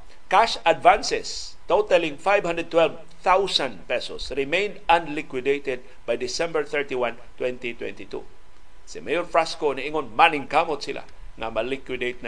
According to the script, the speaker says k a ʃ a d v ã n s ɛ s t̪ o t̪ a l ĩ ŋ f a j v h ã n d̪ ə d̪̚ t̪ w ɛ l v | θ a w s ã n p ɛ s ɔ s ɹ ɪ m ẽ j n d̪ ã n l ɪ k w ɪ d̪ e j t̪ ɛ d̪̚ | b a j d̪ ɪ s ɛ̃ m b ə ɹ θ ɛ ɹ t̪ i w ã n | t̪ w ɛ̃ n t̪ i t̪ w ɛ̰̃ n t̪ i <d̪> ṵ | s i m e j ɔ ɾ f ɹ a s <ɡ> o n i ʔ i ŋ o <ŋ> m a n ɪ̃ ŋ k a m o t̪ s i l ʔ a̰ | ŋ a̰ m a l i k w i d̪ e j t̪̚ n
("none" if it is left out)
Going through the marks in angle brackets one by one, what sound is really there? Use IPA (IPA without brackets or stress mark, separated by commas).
t̪, k, n